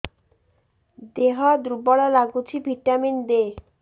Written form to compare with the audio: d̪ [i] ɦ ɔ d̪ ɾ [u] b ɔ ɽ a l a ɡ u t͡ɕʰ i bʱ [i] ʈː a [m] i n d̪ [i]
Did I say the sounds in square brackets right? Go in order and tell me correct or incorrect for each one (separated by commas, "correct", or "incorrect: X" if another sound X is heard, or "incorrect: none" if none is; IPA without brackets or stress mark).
incorrect: e, correct, correct, correct, incorrect: e